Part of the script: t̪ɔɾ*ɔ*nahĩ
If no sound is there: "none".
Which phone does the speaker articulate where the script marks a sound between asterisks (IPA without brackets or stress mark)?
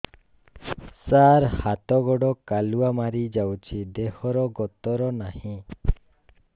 ɔ